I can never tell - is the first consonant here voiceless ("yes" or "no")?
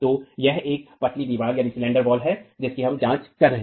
yes